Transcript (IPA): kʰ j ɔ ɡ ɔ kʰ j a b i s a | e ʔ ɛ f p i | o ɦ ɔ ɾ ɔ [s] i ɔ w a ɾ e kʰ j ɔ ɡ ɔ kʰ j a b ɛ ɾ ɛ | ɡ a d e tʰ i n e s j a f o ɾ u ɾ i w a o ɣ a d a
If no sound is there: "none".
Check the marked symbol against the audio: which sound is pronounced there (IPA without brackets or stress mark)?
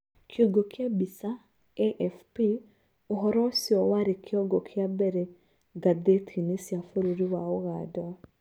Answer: s